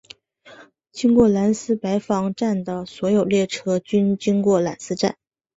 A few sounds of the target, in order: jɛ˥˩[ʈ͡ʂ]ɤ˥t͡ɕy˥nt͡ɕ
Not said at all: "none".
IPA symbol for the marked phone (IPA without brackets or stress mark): ʈ͡ʂʰ